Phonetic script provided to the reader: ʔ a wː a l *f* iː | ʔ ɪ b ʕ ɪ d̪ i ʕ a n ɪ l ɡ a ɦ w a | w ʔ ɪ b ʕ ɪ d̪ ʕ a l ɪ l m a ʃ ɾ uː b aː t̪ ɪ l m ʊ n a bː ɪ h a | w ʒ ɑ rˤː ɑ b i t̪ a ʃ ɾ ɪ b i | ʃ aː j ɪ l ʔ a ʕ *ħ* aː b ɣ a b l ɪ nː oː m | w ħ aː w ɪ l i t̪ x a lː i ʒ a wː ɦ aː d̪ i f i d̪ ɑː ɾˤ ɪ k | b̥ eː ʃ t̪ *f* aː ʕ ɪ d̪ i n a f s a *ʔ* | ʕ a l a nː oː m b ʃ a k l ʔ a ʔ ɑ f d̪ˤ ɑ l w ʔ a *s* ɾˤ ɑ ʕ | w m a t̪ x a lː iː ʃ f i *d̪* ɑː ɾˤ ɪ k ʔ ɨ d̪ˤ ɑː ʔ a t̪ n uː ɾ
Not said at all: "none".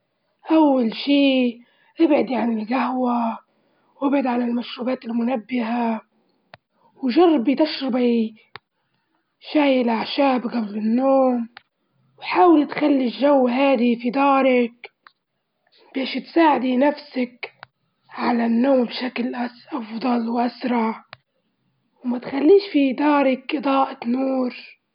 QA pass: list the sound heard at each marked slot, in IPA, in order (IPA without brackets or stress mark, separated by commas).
ʃ, ʃ, s, k, s, d̪